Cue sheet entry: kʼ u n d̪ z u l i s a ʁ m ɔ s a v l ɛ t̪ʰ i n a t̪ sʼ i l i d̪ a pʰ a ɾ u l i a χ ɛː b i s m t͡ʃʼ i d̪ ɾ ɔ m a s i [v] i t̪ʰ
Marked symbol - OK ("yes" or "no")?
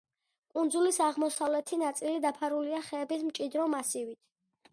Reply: yes